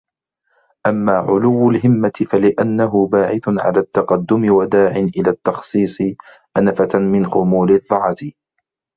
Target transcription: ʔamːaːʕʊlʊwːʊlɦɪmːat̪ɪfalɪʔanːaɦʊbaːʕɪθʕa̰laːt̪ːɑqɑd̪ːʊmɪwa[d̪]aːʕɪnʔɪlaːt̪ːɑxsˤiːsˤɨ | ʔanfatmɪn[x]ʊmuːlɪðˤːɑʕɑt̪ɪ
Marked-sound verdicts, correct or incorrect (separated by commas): correct, correct